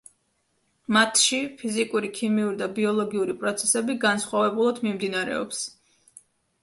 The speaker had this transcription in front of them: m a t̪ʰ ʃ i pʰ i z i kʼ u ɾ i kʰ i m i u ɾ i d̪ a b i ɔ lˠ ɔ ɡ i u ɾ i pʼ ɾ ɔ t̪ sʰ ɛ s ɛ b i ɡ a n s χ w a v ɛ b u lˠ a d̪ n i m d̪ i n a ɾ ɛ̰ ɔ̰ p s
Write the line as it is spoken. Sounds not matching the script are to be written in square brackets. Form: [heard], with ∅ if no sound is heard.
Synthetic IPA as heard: m a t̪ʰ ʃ i pʰ i z i kʼ u ɾ i kʰ i m i u ɾ i d̪ a b i ɔ lˠ ɔ ɡ i u ɾ i pʼ ɾ ɔ t̪ sʰ ɛ s ɛ b i ɡ a n s χ w a v ɛ b u lˠ a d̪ [m] i m d̪ i n a ɾ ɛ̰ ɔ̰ p s